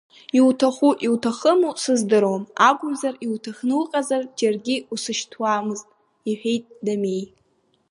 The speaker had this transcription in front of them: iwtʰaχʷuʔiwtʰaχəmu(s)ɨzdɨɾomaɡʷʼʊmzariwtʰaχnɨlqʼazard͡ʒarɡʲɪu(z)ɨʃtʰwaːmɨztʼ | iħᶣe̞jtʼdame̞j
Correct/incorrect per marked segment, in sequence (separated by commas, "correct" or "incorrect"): correct, incorrect